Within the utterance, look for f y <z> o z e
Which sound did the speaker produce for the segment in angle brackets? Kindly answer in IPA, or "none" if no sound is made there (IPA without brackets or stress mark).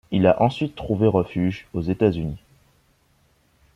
ʒ